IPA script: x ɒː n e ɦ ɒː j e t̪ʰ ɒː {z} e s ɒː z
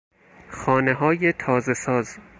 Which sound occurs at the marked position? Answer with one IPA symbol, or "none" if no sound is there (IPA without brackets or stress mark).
z